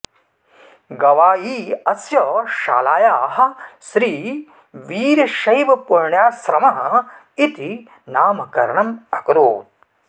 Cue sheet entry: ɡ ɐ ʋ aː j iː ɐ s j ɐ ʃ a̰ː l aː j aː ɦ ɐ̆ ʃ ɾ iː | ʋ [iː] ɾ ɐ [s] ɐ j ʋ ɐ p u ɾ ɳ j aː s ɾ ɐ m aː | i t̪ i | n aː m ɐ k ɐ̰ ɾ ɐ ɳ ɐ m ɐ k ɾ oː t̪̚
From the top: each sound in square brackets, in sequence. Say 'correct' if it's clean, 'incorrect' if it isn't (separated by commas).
correct, incorrect